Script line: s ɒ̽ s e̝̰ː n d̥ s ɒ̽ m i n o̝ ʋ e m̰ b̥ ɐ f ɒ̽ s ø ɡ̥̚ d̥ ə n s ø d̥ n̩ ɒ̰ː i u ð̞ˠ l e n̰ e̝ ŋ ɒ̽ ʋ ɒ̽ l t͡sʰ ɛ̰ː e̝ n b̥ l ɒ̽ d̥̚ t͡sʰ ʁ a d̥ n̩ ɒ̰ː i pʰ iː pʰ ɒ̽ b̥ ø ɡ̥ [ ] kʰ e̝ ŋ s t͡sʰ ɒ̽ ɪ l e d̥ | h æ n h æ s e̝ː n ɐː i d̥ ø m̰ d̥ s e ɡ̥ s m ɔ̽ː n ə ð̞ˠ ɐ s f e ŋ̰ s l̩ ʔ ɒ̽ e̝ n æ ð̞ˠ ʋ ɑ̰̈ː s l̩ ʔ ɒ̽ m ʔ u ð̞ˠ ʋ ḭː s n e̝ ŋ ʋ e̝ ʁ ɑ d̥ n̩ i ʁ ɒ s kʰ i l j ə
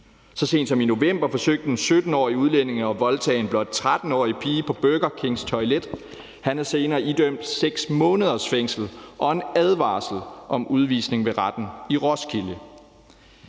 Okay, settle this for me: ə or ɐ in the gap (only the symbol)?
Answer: ɐ